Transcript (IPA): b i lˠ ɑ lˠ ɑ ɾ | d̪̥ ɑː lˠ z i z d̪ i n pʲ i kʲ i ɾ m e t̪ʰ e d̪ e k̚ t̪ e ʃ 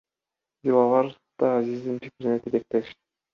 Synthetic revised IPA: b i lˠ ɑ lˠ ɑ ɾ | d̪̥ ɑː z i z d̪ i n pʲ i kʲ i ɾ n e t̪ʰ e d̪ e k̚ t̪ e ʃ